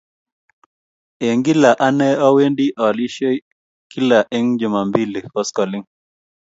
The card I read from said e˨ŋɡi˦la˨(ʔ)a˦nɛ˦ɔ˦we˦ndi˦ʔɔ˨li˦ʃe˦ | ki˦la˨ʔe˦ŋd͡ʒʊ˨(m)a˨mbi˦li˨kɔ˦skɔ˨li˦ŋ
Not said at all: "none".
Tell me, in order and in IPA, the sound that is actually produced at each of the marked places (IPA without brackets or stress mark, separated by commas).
ʔ, m